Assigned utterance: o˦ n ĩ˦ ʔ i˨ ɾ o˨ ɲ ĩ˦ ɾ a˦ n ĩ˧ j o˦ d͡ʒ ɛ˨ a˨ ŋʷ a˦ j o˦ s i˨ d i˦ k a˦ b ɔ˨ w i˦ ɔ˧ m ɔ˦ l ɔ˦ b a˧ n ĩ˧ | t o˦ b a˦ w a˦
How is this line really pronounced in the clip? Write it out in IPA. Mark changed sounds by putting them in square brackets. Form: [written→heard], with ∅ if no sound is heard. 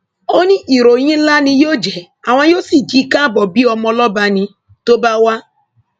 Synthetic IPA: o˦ n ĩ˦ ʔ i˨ ɾ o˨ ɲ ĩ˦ [ɾ→l] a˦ n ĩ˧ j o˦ d͡ʒ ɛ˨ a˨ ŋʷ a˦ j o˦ s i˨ [d→d͡ʒ] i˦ k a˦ b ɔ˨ [w→b] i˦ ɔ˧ m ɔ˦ l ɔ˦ b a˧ n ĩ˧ | t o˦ b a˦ w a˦